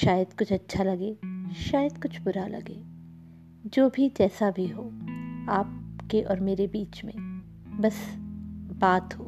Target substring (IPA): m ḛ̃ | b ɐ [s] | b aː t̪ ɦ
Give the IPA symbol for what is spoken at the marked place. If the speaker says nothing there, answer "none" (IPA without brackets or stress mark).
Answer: s